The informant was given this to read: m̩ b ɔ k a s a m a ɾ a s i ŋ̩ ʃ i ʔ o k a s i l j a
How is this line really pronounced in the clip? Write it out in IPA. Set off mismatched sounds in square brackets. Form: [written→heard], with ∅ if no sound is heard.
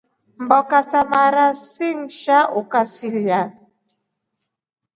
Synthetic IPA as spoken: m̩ b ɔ k a s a m a ɾ a s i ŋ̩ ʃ [i→a] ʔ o k a s i l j a